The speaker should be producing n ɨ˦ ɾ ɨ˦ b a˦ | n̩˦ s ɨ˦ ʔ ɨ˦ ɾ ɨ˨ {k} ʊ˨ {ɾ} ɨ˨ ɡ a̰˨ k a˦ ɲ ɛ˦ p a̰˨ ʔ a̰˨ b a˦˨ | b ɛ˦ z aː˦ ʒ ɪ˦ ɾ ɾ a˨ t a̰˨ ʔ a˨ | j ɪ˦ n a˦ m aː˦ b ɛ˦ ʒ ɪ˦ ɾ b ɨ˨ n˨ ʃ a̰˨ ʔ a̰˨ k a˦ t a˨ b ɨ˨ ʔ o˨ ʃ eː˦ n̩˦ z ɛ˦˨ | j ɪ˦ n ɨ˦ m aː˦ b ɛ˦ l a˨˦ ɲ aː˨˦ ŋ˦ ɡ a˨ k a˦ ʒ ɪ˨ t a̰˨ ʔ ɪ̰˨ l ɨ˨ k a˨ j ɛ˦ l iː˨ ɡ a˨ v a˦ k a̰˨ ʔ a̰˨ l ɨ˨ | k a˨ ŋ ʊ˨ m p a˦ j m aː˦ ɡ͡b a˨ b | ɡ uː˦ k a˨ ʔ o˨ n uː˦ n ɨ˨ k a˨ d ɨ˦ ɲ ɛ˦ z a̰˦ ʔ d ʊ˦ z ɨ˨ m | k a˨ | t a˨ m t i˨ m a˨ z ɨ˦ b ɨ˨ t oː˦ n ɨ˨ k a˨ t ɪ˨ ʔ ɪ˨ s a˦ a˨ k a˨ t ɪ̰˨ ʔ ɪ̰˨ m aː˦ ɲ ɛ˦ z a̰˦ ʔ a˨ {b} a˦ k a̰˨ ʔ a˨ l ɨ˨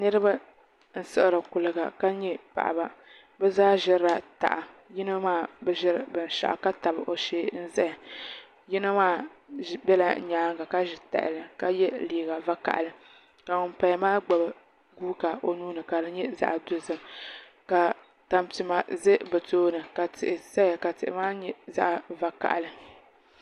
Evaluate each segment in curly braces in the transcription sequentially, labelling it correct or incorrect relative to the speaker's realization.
correct, incorrect: l, incorrect: v

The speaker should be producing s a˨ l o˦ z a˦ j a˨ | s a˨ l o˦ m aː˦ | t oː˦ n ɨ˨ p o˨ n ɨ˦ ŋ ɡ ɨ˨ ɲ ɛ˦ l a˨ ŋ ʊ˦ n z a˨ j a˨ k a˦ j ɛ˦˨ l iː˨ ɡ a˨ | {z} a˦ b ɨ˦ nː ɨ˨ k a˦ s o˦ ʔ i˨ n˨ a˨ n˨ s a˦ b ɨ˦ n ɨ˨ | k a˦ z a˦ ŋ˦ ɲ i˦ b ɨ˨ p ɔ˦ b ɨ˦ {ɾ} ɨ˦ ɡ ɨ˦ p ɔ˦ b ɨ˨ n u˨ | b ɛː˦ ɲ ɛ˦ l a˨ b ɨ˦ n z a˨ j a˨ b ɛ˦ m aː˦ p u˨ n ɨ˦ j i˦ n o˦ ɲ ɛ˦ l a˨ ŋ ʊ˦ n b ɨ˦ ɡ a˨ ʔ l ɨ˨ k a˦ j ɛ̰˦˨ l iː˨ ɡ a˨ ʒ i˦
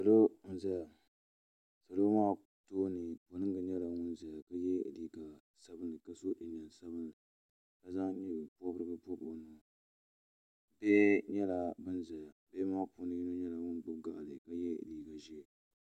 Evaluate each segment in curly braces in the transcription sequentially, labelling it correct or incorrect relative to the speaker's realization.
incorrect: s, correct

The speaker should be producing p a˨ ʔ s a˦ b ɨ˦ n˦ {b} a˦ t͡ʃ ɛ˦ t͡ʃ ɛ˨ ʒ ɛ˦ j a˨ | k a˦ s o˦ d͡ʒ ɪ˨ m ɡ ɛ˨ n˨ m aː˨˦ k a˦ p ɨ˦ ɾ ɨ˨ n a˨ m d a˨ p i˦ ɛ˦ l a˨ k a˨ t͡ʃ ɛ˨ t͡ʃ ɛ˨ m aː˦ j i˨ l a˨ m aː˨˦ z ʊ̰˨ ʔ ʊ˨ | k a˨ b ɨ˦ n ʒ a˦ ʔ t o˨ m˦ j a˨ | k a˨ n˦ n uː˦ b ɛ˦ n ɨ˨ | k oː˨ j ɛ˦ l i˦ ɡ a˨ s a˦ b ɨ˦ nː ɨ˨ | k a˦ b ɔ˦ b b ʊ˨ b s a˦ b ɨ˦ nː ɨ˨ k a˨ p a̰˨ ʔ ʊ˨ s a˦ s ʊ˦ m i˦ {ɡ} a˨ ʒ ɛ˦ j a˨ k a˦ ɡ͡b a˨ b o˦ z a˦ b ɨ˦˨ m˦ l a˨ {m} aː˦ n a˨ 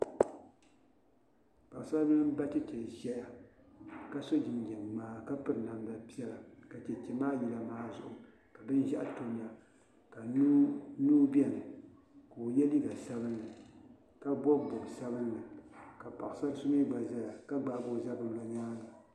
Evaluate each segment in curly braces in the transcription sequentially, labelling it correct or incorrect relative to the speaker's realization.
correct, incorrect: ɡ͡b, incorrect: ɲ

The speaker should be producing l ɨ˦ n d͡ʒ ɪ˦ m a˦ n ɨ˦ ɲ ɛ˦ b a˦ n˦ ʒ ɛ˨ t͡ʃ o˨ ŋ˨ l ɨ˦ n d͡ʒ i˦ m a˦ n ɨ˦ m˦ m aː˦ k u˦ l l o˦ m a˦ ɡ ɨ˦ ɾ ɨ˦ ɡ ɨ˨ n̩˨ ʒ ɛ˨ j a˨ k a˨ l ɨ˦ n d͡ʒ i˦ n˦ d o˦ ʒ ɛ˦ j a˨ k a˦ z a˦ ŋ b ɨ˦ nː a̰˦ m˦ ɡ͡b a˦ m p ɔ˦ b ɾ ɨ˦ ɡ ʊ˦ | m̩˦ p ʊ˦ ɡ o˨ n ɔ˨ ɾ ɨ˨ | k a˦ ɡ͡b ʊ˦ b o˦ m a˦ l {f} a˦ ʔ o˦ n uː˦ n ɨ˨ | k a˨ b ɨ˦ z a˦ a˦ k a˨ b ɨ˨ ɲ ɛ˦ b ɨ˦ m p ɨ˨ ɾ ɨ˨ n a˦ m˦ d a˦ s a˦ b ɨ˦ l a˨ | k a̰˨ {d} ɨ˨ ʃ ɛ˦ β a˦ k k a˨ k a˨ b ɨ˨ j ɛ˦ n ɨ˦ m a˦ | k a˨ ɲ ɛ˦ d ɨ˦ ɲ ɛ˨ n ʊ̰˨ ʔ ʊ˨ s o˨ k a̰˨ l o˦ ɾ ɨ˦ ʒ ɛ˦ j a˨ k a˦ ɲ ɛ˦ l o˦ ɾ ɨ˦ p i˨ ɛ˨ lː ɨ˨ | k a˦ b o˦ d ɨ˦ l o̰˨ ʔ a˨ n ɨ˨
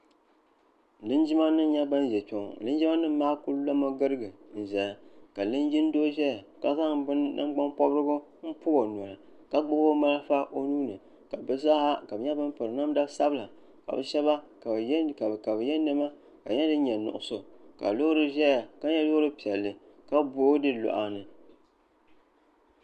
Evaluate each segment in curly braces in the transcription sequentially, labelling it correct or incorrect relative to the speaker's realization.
correct, incorrect: b

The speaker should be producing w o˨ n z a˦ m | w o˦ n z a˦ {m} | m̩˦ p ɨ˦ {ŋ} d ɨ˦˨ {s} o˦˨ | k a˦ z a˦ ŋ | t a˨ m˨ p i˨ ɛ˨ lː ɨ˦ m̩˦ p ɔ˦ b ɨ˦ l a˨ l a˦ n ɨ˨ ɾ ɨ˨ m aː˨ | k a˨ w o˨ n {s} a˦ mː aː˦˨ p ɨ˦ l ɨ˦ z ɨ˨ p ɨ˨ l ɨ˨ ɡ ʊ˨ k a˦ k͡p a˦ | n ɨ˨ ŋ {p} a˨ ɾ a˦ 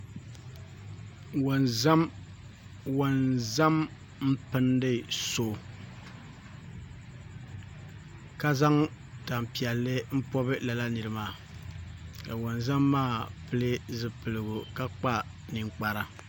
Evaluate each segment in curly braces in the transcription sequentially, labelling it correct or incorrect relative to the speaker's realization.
correct, incorrect: n, correct, incorrect: z, incorrect: k͡p

